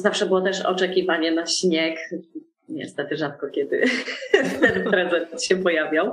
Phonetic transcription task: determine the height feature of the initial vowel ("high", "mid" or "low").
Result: low